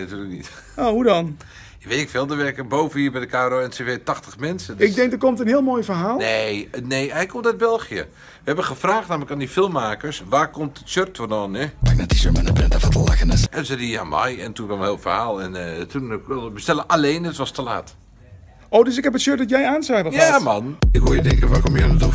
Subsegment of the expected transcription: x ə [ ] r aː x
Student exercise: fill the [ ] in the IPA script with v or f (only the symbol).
f